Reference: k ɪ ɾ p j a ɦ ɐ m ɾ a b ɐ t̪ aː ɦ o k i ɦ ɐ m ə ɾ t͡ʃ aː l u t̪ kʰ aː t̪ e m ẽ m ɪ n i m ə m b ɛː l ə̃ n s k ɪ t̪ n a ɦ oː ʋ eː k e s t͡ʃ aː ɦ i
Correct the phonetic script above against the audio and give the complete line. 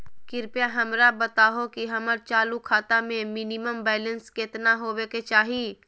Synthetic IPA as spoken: k ɪ ɾ p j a ɦ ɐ m ɾ a b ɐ t̪ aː ɦ o k i ɦ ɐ m ə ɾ t͡ʃ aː l u kʰ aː t̪ a m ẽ m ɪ n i m ə m b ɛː l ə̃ n s k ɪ t̪ n a ɦ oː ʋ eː k e t͡ʃ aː ɦ i